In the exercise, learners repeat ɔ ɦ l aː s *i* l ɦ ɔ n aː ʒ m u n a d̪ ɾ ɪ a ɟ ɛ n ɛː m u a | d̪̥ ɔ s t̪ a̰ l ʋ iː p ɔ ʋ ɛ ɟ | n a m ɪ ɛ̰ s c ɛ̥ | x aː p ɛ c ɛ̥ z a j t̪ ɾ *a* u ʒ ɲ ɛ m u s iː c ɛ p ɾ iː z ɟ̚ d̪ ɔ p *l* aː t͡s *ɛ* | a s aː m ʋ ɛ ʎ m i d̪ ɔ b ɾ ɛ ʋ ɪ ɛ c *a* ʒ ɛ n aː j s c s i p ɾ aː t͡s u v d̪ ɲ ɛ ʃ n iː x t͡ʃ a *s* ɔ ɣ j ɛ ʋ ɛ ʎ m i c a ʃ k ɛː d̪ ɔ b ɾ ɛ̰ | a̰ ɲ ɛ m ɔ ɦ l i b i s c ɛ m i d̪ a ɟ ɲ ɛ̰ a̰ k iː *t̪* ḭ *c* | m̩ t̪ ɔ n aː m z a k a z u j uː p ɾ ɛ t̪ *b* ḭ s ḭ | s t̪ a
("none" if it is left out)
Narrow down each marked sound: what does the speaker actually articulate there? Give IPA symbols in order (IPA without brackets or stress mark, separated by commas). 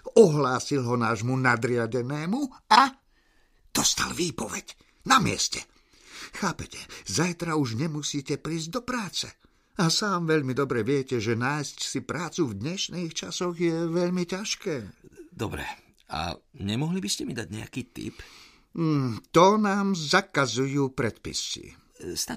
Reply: i, a, ɾ, ɛ, ɛ, s, t̪, p, p